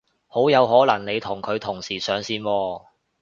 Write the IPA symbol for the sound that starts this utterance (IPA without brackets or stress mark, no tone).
h